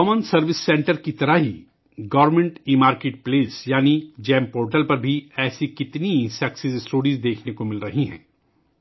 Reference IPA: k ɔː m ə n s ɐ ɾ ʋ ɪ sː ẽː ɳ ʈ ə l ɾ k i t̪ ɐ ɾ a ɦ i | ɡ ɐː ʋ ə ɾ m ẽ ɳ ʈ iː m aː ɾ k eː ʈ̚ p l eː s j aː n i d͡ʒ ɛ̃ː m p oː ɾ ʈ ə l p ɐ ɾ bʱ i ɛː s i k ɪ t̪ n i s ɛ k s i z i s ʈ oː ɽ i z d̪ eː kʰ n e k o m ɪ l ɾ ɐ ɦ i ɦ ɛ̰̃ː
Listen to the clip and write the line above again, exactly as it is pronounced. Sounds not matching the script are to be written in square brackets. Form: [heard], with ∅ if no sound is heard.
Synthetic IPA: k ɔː m ə n s ɐ ɾ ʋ ɪ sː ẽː ɳ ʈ ə [∅] ɾ k i t̪ ɐ ɾ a ɦ i | ɡ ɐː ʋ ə ɾ m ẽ ɳ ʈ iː m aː ɾ k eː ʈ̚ p l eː s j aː n i d͡ʒ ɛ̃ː m p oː ɾ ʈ ə l p ɐ ɾ bʱ i ɛː s i k ɪ t̪ n i s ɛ k s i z [ɪ] s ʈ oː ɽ i z d̪ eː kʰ n e k o m ɪ l ɾ ɐ ɦ i ɦ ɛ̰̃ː

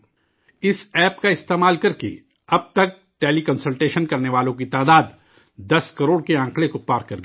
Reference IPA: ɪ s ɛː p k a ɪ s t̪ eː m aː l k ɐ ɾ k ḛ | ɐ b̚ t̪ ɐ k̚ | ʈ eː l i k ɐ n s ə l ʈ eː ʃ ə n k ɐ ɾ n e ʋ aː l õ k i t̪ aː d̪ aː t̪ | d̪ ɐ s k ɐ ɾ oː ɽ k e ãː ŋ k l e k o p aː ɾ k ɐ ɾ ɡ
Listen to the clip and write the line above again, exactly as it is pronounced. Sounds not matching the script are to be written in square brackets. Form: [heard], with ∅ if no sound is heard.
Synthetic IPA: ɪ s ɛː p k a ɪ s t̪ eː m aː l k ɐ ɾ k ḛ | ɐ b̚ t̪ ɐ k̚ | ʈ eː l i k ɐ n s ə l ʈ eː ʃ ə n k ɐ ɾ n e ʋ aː l õ k i t̪ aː d̪ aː [d̪] | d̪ ɐ s k ɐ ɾ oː ɽ k e ãː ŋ k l e k o p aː ɾ k ɐ ɾ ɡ

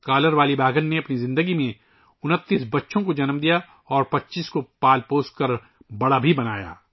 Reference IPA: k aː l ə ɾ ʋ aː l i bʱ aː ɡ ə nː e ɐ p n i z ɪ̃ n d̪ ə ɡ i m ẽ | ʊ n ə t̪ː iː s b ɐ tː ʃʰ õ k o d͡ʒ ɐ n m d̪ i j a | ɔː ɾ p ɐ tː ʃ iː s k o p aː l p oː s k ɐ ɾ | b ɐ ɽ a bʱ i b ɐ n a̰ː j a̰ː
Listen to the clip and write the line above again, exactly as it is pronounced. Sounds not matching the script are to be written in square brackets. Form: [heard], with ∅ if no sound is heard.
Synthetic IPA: k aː l ə ɾ ʋ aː l i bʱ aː ɡ ə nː e ɐ p n i z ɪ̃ n d̪ ə ɡ i m ẽ | ʊ n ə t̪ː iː s b ɐ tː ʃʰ õ k o d͡ʒ ɐ n m d̪ i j a | ɔː ɾ p ɐ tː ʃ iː s k o p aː l p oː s k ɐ ɾ | b ɐ ɽ a bʱ i b ɐ n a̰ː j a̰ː

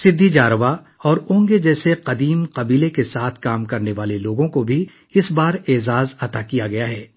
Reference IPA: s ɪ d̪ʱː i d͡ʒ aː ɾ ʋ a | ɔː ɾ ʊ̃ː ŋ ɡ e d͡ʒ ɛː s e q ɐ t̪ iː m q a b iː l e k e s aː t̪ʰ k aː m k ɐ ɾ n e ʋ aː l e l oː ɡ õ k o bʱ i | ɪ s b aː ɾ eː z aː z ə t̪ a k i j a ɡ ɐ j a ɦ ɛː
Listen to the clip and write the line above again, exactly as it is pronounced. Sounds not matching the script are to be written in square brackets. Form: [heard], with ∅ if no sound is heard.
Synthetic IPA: s ɪ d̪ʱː i d͡ʒ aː ɾ ʋ a | ɔː ɾ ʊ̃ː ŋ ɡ e d͡ʒ ɛː s e q ɐ [d̪] iː m q [ɐ] b iː l e k e s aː t̪ʰ k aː m k ɐ ɾ n e ʋ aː l e l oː ɡ õ k o bʱ i | ɪ s b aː ɾ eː z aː z [ɐ] t̪ a k i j a ɡ ɐ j a ɦ ɛː

